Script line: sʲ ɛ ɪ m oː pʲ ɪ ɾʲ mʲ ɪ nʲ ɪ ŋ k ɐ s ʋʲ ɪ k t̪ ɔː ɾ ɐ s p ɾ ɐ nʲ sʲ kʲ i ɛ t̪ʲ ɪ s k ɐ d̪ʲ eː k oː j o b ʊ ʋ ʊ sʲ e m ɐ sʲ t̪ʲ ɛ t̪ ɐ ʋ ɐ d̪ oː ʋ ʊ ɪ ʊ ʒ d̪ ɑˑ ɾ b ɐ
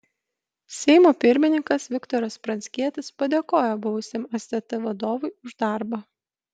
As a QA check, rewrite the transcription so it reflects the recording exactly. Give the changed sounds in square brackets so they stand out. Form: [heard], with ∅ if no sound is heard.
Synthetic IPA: sʲ ɛ ɪ m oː pʲ ɪ ɾʲ mʲ ɪ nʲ ɪ ŋ k ɐ s ʋʲ ɪ k t̪ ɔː ɾ ɐ s p ɾ ɐ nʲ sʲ kʲ i ɛ t̪ʲ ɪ s [p] ɐ d̪ʲ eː k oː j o b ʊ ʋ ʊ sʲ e m ɐ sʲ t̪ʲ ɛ t̪ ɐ ʋ ɐ d̪ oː ʋ ʊ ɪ ʊ ʒ d̪ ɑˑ ɾ b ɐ

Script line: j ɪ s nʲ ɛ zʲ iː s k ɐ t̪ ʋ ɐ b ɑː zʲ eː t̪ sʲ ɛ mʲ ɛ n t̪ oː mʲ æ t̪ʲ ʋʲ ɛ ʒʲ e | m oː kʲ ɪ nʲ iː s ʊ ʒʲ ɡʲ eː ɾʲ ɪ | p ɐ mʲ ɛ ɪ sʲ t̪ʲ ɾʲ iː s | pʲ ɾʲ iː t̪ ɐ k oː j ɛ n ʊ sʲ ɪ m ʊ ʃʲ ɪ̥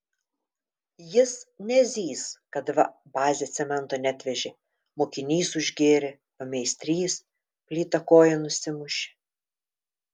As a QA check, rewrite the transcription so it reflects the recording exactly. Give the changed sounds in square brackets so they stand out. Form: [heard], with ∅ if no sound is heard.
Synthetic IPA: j ɪ s nʲ ɛ zʲ iː s k ɐ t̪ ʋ ɐ b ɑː zʲ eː t̪ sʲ ɛ mʲ ɛ n t̪ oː [nʲ] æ t̪ʲ ʋʲ ɛ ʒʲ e | m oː kʲ ɪ nʲ iː s ʊ ʒʲ ɡʲ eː ɾʲ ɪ | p ɐ mʲ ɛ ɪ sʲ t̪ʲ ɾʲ iː s | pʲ [lʲ] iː t̪ ɐ k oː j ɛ n ʊ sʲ ɪ m ʊ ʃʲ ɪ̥

